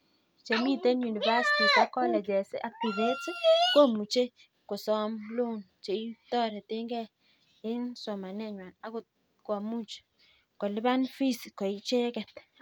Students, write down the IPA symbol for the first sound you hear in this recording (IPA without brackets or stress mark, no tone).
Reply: t͡ʃ